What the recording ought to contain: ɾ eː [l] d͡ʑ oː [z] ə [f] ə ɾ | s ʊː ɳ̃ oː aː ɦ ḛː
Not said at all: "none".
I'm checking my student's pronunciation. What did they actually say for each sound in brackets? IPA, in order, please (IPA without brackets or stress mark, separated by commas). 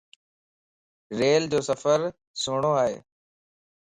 l, s, f